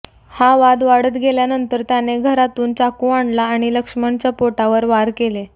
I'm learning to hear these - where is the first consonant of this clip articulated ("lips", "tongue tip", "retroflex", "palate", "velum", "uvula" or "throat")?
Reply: throat